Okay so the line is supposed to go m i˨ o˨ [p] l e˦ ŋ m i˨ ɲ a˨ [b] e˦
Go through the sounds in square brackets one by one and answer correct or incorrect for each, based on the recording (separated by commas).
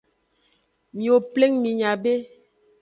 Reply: correct, correct